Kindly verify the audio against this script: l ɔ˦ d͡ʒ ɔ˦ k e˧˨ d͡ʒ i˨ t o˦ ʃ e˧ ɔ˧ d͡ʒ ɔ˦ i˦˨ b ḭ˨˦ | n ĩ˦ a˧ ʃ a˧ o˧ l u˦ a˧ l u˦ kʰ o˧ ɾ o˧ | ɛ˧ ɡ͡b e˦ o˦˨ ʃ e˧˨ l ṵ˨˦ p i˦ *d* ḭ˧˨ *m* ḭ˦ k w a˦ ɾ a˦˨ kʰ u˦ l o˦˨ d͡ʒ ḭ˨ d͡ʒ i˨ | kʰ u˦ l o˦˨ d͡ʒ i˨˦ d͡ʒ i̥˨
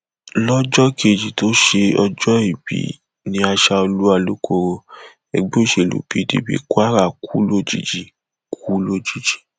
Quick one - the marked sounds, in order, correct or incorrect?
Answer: correct, incorrect

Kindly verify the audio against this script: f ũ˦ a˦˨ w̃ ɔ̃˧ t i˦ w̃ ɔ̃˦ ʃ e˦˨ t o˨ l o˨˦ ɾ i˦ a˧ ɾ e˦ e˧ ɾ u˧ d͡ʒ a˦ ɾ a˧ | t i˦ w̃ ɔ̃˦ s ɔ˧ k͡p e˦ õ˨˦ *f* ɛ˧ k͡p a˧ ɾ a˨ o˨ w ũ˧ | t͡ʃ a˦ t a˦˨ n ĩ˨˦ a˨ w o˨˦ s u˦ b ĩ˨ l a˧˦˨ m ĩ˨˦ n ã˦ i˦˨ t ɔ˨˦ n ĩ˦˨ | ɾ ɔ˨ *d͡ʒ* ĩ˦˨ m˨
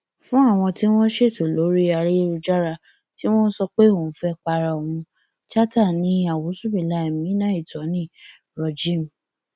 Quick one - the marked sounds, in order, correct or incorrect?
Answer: correct, correct

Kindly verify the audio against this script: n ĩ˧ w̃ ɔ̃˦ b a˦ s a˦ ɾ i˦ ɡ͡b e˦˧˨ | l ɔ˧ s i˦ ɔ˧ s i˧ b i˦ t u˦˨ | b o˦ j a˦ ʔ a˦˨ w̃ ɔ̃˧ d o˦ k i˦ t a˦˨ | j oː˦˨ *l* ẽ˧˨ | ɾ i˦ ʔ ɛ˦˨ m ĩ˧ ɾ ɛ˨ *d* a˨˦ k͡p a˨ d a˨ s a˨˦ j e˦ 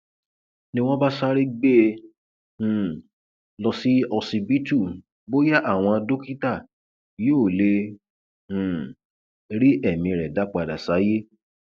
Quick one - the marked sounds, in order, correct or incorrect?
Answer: correct, correct

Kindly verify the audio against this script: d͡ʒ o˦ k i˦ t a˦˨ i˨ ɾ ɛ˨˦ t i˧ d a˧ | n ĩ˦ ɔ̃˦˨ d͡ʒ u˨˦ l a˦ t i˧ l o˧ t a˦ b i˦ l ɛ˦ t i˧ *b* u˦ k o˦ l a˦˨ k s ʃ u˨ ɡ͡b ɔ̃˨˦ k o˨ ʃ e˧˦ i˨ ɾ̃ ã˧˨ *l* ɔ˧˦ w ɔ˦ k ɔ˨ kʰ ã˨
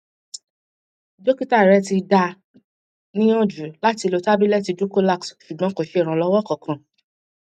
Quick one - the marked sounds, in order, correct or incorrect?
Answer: incorrect, correct

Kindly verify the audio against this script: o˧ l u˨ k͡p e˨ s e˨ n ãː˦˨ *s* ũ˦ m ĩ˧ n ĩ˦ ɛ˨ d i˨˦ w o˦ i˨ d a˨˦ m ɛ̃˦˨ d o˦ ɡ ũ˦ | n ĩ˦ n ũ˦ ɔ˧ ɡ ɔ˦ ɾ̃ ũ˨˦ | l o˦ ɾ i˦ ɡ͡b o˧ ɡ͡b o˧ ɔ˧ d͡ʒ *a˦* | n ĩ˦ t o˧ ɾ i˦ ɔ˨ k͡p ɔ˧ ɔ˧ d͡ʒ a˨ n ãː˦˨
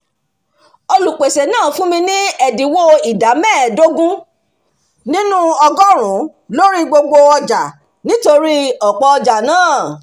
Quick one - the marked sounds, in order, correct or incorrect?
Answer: incorrect, incorrect

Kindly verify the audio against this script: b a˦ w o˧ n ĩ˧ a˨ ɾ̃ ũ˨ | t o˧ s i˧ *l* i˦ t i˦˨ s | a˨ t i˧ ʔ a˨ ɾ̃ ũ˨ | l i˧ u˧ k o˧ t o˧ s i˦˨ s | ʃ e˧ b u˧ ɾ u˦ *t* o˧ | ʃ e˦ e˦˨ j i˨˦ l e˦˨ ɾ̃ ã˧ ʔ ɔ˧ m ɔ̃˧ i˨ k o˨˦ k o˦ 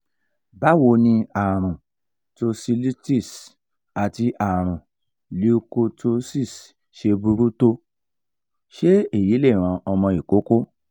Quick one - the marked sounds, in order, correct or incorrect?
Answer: correct, correct

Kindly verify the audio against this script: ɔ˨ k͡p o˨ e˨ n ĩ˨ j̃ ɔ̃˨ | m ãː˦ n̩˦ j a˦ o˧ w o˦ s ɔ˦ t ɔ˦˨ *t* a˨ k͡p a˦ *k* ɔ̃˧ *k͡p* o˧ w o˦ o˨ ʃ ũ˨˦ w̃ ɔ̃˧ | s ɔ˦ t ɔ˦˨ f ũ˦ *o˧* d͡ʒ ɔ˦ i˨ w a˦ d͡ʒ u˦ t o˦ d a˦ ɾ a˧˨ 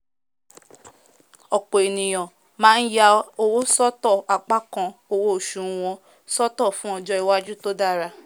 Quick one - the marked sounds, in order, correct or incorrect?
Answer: incorrect, correct, incorrect, incorrect

